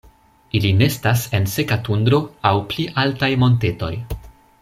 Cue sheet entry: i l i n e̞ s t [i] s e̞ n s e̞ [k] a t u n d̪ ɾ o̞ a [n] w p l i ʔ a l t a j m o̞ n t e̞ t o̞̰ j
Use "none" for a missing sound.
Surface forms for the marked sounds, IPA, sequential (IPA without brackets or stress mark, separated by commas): a, k, none